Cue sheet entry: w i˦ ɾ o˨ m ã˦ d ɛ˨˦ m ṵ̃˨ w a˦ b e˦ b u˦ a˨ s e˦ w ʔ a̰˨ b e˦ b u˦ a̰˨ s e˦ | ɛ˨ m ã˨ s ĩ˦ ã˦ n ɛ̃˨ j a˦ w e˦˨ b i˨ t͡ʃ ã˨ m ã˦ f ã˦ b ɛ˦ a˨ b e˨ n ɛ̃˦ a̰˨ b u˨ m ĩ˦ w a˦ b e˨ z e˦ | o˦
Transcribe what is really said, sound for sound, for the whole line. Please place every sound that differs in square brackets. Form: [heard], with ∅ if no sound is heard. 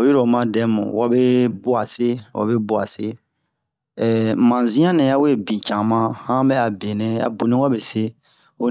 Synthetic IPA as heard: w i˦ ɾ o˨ m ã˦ d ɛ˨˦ m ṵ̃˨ w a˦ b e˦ b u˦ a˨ s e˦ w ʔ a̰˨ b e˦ b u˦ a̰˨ s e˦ | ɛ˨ m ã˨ [z] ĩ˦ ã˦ n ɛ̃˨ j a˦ w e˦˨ b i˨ t͡ʃ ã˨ m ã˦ [h] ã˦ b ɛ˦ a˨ b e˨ n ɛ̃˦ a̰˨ b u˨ [n] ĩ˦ w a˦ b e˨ [s] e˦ | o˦